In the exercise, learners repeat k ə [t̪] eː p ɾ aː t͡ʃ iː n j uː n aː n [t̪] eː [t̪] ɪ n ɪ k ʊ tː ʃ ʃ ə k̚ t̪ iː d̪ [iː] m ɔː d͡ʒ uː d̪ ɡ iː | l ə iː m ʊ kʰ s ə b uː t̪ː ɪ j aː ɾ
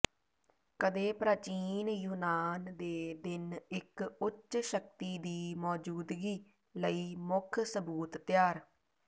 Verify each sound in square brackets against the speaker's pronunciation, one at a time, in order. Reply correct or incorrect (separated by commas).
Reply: incorrect, incorrect, incorrect, correct